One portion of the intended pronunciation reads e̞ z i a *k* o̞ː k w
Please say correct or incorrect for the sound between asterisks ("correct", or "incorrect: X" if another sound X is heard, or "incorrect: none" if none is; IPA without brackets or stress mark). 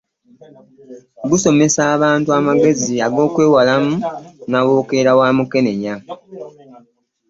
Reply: incorrect: ɡ